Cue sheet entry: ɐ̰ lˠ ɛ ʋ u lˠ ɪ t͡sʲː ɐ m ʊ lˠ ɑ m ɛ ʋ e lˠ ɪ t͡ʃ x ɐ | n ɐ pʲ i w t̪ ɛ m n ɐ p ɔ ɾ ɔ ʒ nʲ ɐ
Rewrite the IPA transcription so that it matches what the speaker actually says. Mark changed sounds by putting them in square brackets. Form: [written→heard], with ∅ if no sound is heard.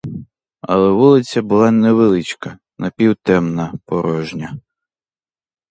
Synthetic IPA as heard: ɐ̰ lˠ ɛ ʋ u lˠ ɪ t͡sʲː ɐ [m→b] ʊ lˠ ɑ [m→n] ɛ ʋ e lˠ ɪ t͡ʃ [x→k] ɐ | n ɐ pʲ i w t̪ ɛ m n ɐ p ɔ ɾ ɔ ʒ nʲ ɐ